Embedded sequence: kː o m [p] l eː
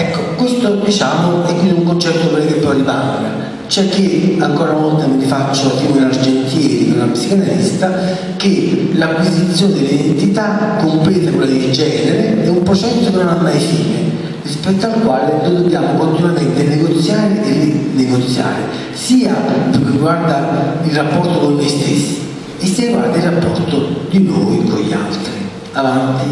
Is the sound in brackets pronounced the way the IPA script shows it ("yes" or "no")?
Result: yes